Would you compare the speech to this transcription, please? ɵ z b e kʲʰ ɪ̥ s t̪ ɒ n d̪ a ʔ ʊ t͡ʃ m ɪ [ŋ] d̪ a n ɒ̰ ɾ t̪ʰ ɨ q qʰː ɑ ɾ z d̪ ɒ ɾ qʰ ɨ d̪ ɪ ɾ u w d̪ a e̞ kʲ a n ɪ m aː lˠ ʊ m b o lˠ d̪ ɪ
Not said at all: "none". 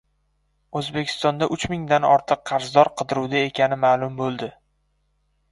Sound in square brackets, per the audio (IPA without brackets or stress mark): ŋ